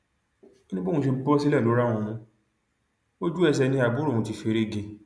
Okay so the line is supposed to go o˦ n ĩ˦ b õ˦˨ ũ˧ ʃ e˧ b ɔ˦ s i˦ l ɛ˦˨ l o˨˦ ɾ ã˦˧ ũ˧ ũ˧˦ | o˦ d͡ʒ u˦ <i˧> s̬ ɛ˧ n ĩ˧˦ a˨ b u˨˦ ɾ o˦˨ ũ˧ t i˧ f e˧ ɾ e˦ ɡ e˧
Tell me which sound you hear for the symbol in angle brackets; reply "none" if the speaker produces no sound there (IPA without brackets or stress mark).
ɛ˧